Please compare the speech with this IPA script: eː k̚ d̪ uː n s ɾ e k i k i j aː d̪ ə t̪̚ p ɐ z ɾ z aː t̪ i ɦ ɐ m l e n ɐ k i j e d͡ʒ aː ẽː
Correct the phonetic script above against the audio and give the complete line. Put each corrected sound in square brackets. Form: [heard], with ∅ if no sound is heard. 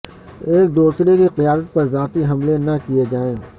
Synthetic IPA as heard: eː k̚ d̪ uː [∅] s ɾ e k i [q] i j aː d̪ ə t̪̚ p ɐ [∅] ɾ z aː t̪ i ɦ ɐ m l e n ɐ k i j e d͡ʒ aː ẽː